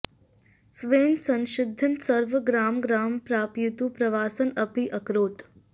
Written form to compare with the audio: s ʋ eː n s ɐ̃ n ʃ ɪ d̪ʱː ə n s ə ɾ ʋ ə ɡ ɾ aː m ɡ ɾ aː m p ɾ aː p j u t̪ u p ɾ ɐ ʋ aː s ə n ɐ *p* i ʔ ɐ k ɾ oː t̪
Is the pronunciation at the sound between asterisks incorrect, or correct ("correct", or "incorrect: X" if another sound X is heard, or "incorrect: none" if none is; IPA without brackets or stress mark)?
correct